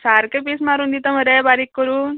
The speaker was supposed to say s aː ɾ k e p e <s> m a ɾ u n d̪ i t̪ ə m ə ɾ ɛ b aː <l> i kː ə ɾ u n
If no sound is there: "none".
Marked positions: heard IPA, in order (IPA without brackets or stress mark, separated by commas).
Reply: s, ɾ